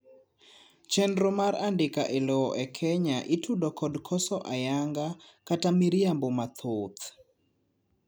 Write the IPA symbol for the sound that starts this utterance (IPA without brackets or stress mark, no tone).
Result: t͡ʃ